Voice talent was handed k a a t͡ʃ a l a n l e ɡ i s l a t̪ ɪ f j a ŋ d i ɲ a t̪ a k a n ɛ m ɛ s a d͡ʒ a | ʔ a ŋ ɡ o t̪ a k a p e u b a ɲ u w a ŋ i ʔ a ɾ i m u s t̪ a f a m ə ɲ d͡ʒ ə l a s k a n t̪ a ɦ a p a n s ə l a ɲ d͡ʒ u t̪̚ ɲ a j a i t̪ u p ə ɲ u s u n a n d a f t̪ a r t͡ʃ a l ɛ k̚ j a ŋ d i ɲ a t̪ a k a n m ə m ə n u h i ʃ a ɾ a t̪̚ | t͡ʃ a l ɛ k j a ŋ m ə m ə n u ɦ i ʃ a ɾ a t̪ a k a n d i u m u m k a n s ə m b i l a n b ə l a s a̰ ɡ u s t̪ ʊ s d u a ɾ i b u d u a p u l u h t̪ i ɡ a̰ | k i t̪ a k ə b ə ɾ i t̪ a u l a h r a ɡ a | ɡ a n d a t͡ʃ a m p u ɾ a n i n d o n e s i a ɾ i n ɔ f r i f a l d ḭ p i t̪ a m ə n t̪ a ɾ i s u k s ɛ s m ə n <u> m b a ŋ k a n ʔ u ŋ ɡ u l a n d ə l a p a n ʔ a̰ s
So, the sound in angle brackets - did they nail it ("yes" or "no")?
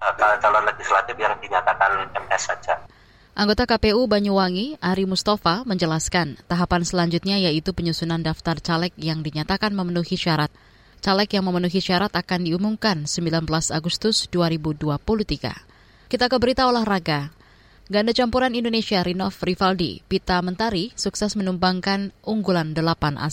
yes